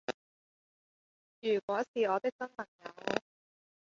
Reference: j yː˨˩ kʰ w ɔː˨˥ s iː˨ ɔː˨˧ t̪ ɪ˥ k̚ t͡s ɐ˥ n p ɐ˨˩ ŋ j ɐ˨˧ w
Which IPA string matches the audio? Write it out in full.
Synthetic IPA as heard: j yː˨˩ k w ɔː˨˥ s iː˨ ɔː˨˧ t̪ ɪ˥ k̚ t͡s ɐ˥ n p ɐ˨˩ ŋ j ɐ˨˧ w